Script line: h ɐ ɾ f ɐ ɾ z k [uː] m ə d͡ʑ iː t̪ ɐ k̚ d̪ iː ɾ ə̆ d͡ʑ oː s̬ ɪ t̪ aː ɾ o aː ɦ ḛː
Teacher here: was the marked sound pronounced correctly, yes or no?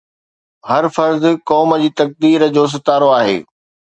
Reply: no